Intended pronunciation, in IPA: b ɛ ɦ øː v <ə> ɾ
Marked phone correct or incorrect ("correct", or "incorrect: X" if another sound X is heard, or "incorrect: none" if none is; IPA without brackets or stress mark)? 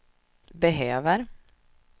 correct